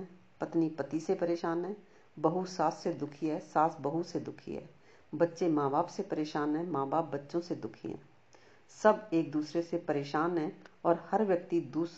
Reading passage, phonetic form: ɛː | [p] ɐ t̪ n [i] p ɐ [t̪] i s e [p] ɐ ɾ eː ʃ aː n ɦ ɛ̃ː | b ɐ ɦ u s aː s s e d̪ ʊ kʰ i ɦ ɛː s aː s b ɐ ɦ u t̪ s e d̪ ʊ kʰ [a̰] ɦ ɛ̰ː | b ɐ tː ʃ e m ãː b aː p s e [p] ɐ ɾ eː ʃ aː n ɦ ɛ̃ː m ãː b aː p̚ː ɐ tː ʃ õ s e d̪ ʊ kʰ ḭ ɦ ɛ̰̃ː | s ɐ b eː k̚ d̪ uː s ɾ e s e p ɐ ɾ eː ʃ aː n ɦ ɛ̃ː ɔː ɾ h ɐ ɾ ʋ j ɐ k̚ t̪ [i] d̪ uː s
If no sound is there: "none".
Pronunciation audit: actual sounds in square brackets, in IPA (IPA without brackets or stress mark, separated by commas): p, i, t̪, p, ḭ, p, i